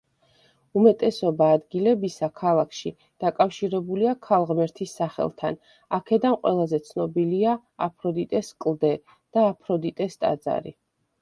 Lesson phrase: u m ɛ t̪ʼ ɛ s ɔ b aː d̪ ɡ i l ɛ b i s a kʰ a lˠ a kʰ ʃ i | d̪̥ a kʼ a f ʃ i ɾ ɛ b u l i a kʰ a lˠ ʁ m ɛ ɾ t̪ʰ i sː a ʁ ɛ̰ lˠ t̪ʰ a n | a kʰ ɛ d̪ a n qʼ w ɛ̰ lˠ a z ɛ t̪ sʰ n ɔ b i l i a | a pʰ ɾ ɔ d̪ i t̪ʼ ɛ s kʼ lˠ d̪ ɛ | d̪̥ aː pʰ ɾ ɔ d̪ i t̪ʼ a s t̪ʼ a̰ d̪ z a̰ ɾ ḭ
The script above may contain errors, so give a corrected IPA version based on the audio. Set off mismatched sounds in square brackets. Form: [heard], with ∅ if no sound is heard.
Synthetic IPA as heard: u m ɛ t̪ʼ ɛ s ɔ b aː d̪ ɡ i l ɛ b i s a kʰ a lˠ a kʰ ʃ i | d̪̥ a kʼ a f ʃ i ɾ ɛ b u l i a kʰ a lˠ ʁ m ɛ ɾ t̪ʰ i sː a [χ] ɛ̰ lˠ t̪ʰ a n | a kʰ ɛ d̪ a n qʼ w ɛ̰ lˠ a z ɛ t̪ sʰ n ɔ b i l i a | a pʰ ɾ ɔ d̪ i t̪ʼ ɛ s kʼ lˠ d̪ ɛ | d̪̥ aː pʰ ɾ ɔ d̪ i t̪ʼ [ɛ] s t̪ʼ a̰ d̪ z a̰ ɾ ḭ